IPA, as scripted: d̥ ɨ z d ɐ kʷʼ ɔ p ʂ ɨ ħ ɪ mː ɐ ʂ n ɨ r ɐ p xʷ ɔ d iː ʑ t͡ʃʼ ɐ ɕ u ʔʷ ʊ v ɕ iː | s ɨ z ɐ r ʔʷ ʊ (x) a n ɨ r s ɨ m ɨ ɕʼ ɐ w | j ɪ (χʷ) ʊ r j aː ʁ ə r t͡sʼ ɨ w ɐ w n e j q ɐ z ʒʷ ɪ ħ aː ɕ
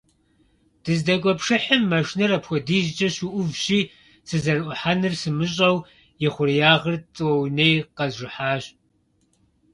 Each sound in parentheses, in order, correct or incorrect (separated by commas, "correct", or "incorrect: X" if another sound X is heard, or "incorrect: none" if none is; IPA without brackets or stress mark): incorrect: ħ, correct